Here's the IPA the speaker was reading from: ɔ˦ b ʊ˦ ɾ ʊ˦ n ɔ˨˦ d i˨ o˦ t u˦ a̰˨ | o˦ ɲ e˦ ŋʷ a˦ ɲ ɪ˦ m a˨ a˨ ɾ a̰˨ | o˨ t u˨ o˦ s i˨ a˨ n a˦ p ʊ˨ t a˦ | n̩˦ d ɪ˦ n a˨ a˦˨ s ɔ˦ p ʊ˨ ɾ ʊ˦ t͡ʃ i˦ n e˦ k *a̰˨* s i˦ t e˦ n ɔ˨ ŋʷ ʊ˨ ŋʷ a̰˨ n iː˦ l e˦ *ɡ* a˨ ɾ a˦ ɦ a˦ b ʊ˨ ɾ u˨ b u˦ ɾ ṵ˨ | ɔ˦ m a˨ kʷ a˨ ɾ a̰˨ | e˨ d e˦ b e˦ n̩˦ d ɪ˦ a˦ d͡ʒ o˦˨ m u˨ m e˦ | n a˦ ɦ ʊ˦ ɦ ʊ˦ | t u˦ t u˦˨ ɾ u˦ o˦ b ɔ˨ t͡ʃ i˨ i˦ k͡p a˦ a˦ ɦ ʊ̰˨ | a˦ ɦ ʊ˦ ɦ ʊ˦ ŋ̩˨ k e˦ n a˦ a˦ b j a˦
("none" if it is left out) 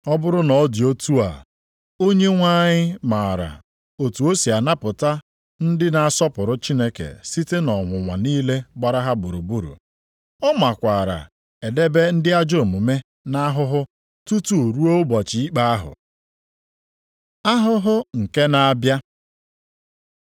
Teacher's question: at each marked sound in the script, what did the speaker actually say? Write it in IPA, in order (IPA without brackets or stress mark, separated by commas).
ḛ˨, ɡ͡b